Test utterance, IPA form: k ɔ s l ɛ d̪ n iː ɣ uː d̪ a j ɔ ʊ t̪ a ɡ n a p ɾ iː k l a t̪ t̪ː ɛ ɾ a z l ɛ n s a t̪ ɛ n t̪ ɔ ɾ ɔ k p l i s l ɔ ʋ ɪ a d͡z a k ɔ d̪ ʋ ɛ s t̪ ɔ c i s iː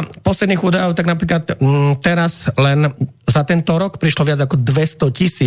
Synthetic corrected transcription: p ɔ s l ɛ d̪ n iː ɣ uː d̪ a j ɔ ʊ t̪ a ɡ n a p ɾ iː k l a t̪ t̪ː ɛ ɾ a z l ɛ n z a t̪ ɛ n t̪ ɔ ɾ ɔ k p ɾ i ʃ l ɔ ʋ ɪ a d͡z a k ɔ d̪ ʋ ɛ s t̪ ɔ c i s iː